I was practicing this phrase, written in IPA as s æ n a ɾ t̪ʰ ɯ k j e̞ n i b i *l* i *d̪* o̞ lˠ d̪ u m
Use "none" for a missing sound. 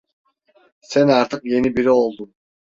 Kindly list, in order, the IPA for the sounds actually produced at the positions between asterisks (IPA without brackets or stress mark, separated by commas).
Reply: ɾ, none